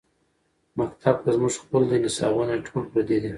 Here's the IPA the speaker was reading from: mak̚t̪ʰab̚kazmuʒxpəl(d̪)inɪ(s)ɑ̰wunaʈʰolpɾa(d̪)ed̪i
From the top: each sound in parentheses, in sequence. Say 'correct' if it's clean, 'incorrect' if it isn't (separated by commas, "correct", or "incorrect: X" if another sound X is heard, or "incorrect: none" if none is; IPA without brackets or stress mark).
correct, correct, correct